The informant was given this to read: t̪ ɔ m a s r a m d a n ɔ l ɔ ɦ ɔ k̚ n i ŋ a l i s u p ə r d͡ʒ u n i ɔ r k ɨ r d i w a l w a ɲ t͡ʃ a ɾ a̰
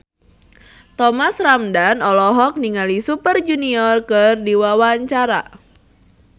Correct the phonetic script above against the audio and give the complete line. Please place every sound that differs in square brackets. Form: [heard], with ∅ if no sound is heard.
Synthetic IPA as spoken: t̪ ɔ m a s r a m d a n ɔ l ɔ ɦ ɔ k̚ n i ŋ a l i s u p ə r d͡ʒ u n i ɔ r k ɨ r d i w a [∅] w a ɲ t͡ʃ a ɾ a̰